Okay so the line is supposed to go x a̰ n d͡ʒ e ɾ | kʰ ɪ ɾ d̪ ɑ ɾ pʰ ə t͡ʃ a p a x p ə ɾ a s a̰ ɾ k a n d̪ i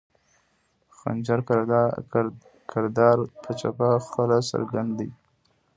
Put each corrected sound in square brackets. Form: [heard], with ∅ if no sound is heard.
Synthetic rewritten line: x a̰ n d͡ʒ [a] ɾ | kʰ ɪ ɾ d̪ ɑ ɾ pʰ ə t͡ʃ a p a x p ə [l] a s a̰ ɾ [ɡ] a n d̪ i